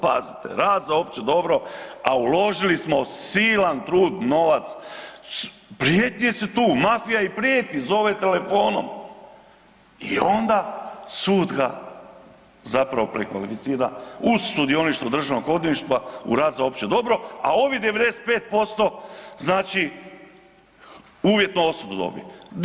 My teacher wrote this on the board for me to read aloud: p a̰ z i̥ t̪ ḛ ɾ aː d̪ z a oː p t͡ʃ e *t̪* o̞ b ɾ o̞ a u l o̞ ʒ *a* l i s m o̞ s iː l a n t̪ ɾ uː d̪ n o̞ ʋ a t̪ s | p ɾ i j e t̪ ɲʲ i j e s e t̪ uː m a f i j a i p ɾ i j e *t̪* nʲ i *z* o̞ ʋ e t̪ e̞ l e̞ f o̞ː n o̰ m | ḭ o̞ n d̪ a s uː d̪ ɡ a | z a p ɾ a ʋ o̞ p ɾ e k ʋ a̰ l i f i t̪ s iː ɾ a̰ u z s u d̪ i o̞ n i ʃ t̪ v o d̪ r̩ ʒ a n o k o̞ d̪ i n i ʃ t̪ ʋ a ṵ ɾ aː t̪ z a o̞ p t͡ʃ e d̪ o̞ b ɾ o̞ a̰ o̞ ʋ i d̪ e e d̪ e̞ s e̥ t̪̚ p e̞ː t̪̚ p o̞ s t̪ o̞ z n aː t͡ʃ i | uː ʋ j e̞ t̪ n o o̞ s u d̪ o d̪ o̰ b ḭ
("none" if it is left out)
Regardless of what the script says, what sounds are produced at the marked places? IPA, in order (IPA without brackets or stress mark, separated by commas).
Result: d̪, i, t̪, z